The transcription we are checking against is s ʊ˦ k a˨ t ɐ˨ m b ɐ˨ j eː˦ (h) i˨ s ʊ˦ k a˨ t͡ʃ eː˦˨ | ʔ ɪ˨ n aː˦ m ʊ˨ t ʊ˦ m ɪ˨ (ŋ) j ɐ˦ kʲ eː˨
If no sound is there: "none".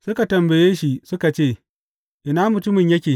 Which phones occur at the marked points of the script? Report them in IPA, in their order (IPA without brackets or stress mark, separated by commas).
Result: ʃ, ɲ